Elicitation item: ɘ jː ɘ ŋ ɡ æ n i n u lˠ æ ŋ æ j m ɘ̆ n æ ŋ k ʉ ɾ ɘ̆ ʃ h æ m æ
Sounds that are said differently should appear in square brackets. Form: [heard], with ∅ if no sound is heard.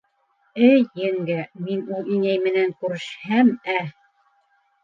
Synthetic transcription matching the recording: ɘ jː ɘ ŋ ɡ æ [m] i n u lˠ [i] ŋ æ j m ɘ̆ n æ ŋ k ʉ ɾ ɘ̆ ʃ h æ m æ